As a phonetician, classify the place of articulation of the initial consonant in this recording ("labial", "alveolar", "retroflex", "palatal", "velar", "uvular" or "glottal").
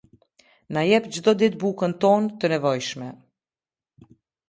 alveolar